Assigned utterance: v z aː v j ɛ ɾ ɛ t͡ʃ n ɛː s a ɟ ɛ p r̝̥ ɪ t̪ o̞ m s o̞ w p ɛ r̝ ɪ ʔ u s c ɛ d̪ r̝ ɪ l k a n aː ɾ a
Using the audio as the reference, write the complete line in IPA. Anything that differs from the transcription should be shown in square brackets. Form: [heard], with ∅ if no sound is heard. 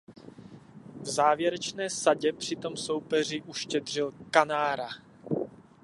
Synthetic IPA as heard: v z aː v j ɛ ɾ ɛ t͡ʃ n ɛː s a ɟ ɛ p r̝̥ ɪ t̪ o̞ m s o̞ w p ɛ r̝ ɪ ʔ u [ʃ] c ɛ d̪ r̝ ɪ l k a n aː ɾ a